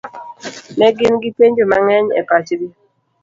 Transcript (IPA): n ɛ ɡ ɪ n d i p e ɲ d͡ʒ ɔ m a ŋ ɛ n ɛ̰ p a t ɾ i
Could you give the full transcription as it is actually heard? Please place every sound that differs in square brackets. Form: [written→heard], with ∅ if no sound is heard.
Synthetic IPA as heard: n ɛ ɡ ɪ n [d→ɡ] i p e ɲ d͡ʒ [ɔ→o] m a ŋ ɛ [n→ɲ] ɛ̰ p a [t→t͡ʃ] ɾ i